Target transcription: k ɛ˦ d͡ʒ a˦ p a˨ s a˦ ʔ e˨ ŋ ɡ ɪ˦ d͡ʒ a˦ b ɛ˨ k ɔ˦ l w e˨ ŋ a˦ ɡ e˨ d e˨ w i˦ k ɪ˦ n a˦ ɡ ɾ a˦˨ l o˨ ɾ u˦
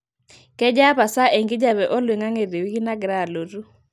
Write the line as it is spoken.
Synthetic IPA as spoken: k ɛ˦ d͡ʒ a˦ p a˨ s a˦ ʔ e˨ ŋ ɡ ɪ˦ d͡ʒ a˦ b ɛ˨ ʔ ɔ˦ l w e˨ ŋ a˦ ŋ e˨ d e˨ w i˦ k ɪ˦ n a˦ ɡ ɾ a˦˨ l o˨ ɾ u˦